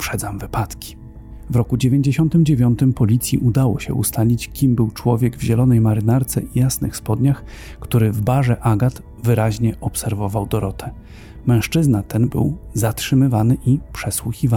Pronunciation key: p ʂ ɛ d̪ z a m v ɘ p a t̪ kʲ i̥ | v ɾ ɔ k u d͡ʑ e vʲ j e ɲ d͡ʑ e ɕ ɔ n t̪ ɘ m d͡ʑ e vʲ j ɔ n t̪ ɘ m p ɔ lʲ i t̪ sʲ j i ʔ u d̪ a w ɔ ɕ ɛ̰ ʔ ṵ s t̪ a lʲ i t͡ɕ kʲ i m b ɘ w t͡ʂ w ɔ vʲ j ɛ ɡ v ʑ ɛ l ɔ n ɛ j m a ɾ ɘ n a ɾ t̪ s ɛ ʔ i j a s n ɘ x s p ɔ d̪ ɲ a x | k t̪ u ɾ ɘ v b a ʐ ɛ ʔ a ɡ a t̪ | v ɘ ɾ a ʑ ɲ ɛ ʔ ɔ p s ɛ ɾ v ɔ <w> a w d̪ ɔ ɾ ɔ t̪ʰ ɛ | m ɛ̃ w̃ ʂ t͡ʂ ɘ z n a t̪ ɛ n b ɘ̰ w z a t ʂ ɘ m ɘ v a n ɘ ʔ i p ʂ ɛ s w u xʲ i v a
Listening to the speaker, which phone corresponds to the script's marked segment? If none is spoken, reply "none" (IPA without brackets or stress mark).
v